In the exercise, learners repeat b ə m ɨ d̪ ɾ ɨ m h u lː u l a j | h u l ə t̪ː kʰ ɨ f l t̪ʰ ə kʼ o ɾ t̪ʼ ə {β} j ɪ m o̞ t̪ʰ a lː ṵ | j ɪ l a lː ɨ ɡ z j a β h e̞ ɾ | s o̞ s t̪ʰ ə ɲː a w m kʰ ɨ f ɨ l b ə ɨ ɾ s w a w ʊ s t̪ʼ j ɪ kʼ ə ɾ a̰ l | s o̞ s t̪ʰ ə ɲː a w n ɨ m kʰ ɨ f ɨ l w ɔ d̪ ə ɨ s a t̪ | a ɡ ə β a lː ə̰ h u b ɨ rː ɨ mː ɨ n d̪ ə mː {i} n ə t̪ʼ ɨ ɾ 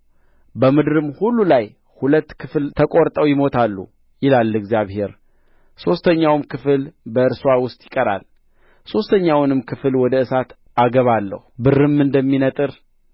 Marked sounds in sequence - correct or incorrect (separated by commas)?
incorrect, correct